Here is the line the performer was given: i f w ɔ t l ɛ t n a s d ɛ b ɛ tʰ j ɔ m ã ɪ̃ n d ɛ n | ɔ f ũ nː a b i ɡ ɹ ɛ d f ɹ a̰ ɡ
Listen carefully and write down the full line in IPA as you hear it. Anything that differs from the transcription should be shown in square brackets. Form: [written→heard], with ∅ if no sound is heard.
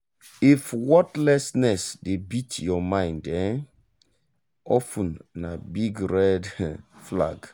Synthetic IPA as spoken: i f w ɔ t l ɛ [t→s] n [a→ɛ] s d [ɛ→e] b [ɛ→i] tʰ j ɔ m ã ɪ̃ n d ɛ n | ɔ f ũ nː a b i ɡ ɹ ɛ d f [ɹ→l] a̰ ɡ